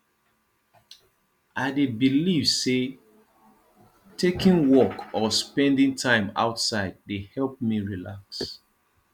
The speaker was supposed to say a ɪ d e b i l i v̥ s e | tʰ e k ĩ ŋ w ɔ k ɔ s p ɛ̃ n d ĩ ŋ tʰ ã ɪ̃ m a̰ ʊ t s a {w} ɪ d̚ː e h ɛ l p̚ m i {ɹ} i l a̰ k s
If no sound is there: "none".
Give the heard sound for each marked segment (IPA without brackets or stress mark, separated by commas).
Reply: none, ɹ